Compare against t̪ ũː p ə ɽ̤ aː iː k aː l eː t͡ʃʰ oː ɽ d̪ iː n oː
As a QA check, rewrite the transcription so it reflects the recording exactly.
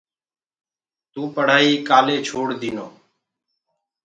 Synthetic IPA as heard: t̪ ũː p ə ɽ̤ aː iː k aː l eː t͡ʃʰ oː ɽ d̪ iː n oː